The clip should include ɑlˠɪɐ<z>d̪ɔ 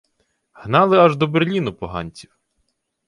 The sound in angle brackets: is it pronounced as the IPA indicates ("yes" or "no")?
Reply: no